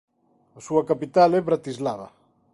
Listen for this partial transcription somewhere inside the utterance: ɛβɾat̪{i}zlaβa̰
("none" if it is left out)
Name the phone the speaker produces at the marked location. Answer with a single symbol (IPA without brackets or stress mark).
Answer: i